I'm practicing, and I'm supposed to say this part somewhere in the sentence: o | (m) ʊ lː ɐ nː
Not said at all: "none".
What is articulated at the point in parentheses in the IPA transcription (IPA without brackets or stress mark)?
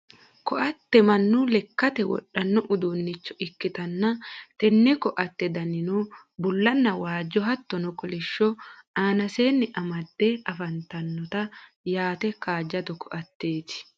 b